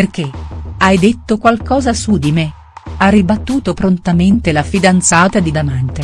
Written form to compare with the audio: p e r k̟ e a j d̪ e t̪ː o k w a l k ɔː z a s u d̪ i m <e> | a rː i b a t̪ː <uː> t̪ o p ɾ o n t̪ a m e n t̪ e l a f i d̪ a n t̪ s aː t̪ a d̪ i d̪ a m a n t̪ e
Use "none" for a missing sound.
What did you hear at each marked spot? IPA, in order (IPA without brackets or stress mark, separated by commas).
e, uː